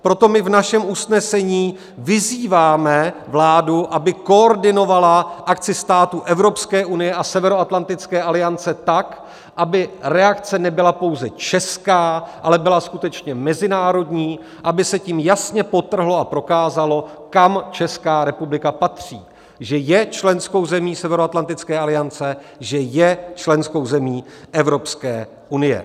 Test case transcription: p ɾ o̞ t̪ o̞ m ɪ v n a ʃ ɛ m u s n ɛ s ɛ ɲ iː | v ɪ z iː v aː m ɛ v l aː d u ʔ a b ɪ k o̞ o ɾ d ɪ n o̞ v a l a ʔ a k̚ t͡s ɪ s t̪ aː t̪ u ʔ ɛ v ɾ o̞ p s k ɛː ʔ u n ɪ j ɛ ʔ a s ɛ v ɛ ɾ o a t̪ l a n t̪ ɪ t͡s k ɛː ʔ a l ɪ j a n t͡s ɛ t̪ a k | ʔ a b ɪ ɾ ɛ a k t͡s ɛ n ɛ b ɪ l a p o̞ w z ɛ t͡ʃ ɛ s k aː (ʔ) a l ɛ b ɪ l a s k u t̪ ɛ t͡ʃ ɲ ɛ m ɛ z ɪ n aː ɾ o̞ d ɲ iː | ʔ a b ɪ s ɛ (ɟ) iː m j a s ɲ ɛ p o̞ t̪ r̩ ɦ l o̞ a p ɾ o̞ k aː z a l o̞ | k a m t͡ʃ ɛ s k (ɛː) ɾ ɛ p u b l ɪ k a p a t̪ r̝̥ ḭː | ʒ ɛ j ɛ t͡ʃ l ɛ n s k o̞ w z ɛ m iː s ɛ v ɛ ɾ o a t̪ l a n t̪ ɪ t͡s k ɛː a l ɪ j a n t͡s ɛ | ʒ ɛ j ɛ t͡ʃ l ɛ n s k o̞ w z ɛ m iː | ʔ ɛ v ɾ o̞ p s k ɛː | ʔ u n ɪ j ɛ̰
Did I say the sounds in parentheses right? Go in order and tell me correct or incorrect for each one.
correct, incorrect: c, incorrect: aː

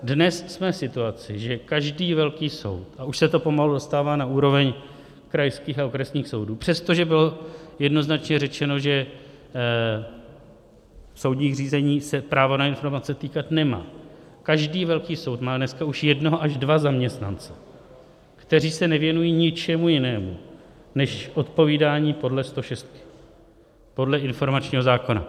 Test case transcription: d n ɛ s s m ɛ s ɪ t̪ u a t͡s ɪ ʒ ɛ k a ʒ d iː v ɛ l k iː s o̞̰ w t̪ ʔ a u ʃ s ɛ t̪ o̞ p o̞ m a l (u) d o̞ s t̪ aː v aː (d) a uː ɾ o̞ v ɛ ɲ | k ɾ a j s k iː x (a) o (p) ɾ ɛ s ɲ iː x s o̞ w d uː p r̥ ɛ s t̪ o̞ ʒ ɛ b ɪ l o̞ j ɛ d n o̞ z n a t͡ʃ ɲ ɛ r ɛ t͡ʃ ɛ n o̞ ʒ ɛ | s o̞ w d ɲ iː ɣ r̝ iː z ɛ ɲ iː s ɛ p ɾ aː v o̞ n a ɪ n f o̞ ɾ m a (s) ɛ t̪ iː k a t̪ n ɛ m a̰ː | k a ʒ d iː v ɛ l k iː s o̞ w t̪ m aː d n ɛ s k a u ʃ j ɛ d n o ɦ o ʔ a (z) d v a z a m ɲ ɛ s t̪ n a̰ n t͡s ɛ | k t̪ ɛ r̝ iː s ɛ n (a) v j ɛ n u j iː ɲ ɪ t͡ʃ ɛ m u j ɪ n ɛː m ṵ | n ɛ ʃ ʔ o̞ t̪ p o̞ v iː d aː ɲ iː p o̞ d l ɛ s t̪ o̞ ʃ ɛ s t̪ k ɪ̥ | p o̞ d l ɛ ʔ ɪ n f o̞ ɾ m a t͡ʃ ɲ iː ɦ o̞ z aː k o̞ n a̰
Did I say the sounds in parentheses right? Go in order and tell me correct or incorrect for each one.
correct, incorrect: n, correct, incorrect: k, incorrect: t͡s, incorrect: ʒ, incorrect: ɛ

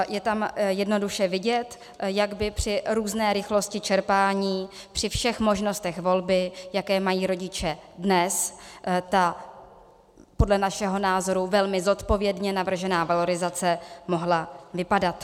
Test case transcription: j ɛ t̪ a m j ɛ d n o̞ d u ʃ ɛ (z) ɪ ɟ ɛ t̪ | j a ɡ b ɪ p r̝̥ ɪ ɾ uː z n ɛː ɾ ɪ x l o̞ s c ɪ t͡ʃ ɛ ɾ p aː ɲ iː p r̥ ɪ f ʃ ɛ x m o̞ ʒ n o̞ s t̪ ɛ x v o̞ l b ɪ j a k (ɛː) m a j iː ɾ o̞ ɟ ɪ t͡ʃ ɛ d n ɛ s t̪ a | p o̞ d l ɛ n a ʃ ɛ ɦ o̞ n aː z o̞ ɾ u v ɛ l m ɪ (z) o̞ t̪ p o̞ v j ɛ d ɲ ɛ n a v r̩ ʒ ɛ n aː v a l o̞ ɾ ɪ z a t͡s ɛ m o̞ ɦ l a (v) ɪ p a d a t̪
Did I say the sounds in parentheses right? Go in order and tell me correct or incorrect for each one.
incorrect: v, correct, correct, correct

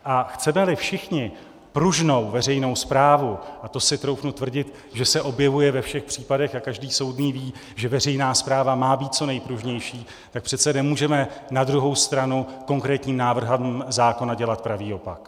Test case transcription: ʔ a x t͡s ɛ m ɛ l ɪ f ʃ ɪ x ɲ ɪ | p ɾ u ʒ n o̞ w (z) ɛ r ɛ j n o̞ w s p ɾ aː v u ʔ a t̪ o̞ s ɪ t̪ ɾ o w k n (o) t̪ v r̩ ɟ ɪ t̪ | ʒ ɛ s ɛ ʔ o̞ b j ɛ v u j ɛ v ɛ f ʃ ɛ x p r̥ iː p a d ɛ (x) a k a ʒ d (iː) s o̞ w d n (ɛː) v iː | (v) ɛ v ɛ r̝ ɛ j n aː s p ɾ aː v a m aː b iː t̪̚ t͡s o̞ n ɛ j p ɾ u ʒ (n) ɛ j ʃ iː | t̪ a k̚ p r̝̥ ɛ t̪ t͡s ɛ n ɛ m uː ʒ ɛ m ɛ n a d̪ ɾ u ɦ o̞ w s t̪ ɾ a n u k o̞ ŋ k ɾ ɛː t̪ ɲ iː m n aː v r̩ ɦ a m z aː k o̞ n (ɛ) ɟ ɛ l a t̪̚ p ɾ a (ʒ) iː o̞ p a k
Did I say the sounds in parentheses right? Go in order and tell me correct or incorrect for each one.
incorrect: v, incorrect: u, correct, correct, incorrect: iː, incorrect: ʒ, incorrect: ɲ, incorrect: a, incorrect: v

